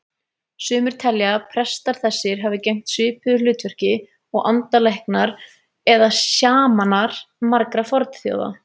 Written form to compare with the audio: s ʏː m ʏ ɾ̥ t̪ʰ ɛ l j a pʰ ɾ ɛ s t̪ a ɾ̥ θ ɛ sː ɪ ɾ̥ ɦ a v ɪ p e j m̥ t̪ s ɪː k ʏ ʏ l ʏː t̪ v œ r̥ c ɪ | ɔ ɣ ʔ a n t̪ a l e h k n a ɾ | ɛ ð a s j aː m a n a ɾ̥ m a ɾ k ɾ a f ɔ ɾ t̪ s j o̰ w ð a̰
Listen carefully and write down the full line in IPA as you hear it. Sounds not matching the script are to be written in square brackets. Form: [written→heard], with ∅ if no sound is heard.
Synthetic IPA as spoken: s ʏː m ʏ ɾ̥ t̪ʰ ɛ l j a pʰ ɾ ɛ s t̪ a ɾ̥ θ ɛ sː ɪ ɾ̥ ɦ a v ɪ [p→c] e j m̥ t̪ s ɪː [k→p] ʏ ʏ l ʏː t̪ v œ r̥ c ɪ | ɔ ɣ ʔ a n t̪ a l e h k n a ɾ | ɛ ð a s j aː m a n a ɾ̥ m a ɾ k ɾ a f ɔ ɾ t̪ [s→θ] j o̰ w ð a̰